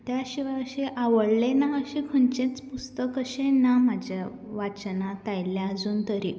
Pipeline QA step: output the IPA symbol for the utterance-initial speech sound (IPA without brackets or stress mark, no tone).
t̪